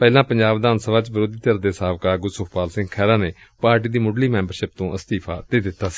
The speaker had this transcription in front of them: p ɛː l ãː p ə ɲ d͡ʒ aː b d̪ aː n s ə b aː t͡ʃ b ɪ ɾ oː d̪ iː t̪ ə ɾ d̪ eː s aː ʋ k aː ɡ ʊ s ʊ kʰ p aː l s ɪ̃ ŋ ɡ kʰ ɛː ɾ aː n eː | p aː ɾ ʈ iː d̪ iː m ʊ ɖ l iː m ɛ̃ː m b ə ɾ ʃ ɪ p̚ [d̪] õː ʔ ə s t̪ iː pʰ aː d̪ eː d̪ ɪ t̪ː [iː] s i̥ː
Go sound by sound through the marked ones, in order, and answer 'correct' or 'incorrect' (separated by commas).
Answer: incorrect, incorrect